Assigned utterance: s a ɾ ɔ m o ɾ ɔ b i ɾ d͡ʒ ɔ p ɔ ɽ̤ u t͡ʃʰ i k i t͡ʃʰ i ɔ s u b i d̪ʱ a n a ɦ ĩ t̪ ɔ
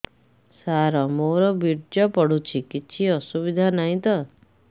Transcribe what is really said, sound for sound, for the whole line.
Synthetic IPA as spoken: s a ɾ ɔ m o ɾ ɔ b i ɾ d͡ʒ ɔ p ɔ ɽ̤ u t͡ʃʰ i k i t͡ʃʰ i ɔ s u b i d̪ʱ a n a ɦ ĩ t̪ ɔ